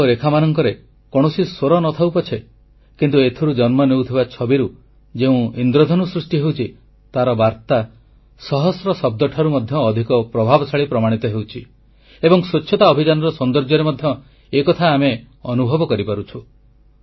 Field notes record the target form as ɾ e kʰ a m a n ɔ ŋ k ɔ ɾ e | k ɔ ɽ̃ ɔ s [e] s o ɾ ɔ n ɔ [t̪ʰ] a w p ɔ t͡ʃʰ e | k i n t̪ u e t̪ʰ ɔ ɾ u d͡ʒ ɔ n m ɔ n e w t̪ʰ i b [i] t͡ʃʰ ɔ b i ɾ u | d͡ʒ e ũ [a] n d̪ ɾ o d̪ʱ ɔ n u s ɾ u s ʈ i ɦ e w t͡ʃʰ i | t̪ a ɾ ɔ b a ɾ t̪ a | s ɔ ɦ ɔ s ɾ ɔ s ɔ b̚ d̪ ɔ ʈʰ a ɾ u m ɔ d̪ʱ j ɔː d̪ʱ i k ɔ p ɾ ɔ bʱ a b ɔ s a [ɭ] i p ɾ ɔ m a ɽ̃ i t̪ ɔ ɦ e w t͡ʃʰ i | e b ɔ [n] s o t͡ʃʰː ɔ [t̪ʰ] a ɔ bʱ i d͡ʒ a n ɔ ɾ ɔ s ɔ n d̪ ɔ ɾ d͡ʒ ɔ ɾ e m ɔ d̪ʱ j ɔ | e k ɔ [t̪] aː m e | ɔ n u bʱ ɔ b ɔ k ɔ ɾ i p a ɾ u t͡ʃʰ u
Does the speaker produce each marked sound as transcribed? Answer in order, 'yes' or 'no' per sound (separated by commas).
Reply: no, yes, no, no, yes, no, no, no